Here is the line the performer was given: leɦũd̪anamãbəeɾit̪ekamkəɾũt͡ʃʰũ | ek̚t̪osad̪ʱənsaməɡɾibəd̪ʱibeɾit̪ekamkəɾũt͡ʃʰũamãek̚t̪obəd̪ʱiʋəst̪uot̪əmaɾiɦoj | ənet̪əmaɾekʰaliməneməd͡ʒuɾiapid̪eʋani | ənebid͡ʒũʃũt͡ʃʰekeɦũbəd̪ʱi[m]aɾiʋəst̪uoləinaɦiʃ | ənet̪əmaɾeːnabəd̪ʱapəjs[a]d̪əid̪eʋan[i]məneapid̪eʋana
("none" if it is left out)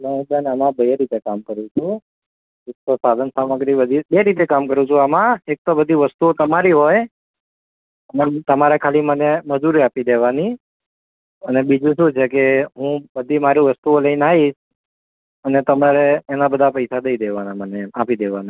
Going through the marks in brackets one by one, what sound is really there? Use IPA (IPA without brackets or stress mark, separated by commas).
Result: m, a, a